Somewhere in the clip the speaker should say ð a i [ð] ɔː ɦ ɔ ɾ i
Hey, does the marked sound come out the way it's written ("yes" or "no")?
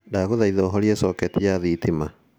yes